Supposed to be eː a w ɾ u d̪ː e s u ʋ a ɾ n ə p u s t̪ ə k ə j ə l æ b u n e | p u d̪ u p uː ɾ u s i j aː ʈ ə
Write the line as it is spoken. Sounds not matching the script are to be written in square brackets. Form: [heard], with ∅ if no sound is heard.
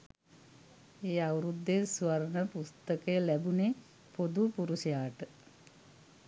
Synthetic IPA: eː a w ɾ u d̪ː e s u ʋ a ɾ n ə p u s t̪ ə k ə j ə l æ b u n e | p [o] d̪ u p [u] ɾ u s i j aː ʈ ə